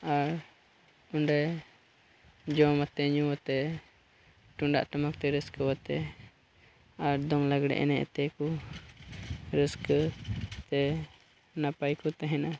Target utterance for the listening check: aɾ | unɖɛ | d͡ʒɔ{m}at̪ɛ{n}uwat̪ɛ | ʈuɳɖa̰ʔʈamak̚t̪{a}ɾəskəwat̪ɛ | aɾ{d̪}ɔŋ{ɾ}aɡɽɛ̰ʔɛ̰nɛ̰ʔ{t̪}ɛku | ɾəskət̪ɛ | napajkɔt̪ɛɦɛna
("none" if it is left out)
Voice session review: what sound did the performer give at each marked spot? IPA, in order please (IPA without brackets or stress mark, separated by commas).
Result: m, ɲ, ɛ, d̪, l, t̪